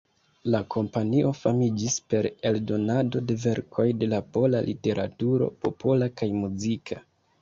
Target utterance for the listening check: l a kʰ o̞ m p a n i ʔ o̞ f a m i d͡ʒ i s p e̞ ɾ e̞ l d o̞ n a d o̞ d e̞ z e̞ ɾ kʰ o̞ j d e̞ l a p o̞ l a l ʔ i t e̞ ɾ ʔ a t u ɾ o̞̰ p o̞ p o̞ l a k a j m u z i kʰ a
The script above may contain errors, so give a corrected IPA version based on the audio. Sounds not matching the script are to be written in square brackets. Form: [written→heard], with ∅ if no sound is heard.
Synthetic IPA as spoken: l a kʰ o̞ m p a n i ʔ o̞ f a m i d͡ʒ i s p e̞ ɾ e̞ l d o̞ n a d o̞ d e̞ [z→v] e̞ ɾ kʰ o̞ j d e̞ l a p o̞ l a l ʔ i t e̞ ɾ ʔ a t u ɾ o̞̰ p o̞ p o̞ l a k a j m u z i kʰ a